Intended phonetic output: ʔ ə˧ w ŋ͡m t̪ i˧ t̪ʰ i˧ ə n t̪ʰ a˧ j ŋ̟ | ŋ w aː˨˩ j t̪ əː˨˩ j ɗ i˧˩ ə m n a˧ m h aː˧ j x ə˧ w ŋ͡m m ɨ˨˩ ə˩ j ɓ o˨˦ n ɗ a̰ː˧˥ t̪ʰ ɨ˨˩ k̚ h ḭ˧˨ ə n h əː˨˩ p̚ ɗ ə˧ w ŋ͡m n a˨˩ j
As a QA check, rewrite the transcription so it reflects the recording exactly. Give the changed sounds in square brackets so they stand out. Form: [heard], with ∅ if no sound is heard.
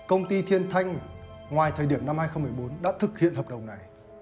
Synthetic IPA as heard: [k] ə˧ w ŋ͡m t̪ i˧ t̪ʰ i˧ ə n t̪ʰ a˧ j ŋ̟ | ŋ w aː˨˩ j [t̪ʰ] əː˨˩ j ɗ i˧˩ ə m n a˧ m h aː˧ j x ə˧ w ŋ͡m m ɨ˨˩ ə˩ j ɓ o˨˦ n ɗ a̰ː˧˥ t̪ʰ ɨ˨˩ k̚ h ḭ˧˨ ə n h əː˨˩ p̚ ɗ [ə˨˩] w ŋ͡m n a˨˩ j